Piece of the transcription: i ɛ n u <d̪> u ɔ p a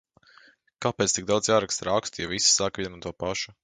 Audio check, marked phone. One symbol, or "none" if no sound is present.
t̪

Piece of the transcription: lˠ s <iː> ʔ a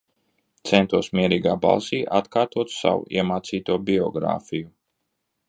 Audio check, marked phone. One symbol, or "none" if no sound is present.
iː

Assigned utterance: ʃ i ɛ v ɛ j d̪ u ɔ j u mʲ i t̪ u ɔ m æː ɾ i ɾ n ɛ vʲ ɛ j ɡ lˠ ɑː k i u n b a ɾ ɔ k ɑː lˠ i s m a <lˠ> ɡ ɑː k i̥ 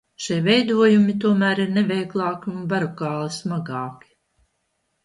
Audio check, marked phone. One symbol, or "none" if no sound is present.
none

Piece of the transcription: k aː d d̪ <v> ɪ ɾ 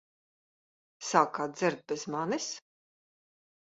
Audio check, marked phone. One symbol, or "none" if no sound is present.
z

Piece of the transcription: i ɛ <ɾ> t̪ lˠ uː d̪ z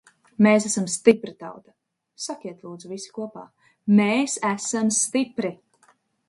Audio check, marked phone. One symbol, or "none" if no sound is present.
none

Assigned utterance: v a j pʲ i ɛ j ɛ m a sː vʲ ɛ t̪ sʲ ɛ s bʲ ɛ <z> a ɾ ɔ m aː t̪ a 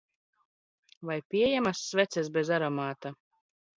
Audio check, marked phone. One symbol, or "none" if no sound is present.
z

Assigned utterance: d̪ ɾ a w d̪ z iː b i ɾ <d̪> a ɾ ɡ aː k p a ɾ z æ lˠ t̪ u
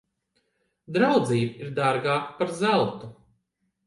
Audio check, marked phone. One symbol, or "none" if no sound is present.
d̪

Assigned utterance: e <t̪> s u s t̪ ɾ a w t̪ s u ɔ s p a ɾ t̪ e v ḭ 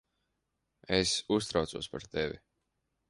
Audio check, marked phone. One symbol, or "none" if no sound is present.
none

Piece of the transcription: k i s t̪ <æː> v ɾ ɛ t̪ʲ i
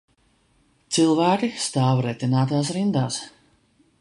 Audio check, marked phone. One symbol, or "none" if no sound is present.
aː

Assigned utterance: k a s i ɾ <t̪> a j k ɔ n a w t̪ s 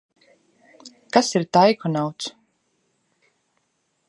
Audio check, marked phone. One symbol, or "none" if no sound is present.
t̪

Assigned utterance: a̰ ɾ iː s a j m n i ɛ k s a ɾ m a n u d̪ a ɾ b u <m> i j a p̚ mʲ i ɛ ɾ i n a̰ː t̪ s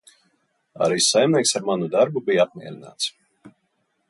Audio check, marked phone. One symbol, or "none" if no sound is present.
b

